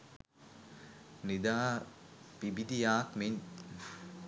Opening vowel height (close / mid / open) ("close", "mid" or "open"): close